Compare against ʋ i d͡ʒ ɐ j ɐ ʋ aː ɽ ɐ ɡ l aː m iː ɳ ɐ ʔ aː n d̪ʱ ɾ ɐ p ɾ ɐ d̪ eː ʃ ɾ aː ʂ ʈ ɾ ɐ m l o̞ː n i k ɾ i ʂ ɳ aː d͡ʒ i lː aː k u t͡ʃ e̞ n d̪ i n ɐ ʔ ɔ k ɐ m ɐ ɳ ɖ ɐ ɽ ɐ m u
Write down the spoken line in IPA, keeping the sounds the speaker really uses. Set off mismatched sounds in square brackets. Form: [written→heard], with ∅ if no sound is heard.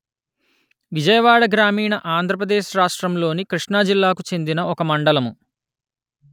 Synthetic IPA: ʋ i d͡ʒ ɐ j ɐ ʋ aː ɽ ɐ ɡ [l→ɾ] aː m iː ɳ ɐ ʔ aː n d̪ʱ ɾ ɐ p ɾ ɐ d̪ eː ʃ ɾ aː ʂ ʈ ɾ ɐ m l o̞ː n i k ɾ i ʂ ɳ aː d͡ʒ i lː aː k u t͡ʃ e̞ n d̪ i n ɐ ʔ ɔ k ɐ m ɐ ɳ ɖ ɐ [ɽ→l] ɐ m u